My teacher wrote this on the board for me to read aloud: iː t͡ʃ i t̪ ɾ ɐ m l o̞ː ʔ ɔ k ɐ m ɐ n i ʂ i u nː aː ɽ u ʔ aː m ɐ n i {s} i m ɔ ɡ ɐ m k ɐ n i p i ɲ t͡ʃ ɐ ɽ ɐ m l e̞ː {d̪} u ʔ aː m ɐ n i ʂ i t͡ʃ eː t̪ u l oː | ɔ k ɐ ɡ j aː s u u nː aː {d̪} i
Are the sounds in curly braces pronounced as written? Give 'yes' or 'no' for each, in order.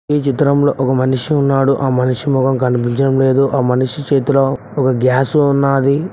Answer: no, yes, yes

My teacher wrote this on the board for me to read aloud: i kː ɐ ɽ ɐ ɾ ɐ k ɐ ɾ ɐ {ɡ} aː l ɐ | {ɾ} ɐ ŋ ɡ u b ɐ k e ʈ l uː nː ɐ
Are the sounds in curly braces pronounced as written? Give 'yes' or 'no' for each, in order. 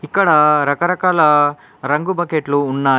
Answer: no, yes

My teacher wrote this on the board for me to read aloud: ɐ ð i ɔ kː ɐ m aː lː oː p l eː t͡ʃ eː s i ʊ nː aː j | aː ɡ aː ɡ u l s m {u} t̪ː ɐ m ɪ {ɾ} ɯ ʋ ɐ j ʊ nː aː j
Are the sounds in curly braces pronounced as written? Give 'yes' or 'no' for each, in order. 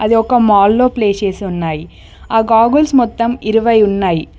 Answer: no, yes

